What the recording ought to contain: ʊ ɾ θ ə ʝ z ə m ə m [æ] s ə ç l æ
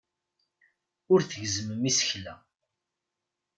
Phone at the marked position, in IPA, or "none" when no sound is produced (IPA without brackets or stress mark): i